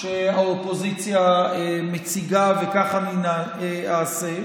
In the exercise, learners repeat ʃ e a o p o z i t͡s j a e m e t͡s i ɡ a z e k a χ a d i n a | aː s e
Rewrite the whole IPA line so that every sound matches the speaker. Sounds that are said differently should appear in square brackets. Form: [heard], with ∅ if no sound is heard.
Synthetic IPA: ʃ e a o p o z i t͡s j a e m e t͡s i ɡ a [v] e k a χ a [n] i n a | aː s e